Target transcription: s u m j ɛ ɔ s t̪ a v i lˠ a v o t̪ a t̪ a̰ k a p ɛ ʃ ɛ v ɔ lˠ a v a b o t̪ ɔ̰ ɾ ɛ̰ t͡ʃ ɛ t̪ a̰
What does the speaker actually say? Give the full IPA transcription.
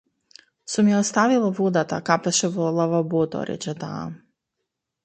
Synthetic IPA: s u m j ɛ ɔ s t̪ a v i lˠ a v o d̪ a t̪ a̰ k a p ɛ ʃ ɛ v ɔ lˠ a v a b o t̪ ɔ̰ ɾ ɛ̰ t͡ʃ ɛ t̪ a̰